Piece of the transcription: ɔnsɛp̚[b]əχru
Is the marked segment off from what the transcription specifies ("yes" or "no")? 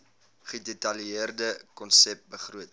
no